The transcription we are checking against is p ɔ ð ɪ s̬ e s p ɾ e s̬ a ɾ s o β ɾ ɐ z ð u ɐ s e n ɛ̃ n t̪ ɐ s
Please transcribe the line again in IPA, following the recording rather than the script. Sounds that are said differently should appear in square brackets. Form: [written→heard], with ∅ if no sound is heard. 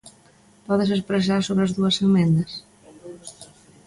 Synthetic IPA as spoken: p ɔ ð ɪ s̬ e s p ɾ e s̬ a ɾ s o β ɾ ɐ z ð u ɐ s e [n→m] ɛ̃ n [t̪→d̪] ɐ s